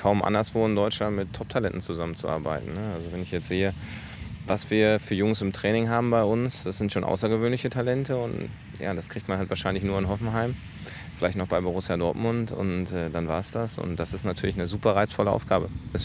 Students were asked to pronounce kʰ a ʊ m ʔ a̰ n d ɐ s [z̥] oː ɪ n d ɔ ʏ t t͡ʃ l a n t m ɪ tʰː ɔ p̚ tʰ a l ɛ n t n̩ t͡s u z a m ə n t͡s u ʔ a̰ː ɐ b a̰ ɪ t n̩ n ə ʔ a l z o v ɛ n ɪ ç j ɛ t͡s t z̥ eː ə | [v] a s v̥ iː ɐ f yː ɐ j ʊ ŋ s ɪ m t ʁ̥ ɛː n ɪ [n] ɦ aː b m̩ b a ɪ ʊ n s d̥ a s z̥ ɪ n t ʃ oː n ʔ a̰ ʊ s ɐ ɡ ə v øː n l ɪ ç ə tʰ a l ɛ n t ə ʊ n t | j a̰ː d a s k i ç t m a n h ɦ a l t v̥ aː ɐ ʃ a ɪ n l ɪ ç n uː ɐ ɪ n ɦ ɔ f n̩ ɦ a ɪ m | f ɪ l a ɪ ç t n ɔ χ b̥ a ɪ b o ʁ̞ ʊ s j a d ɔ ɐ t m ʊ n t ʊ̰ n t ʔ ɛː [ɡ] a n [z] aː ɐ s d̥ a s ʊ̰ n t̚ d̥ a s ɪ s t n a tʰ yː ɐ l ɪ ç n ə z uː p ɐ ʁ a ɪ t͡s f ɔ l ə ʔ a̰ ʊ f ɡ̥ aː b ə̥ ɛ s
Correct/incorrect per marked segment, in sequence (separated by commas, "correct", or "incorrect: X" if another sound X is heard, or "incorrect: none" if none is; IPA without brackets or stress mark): incorrect: v̥, correct, incorrect: ŋ, incorrect: d, incorrect: v